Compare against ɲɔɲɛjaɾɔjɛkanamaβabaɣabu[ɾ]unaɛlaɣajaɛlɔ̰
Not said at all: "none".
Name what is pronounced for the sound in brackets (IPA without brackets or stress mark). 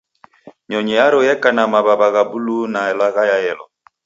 l